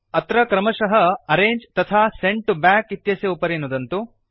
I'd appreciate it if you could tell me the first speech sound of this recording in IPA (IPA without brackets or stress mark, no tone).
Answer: ɐ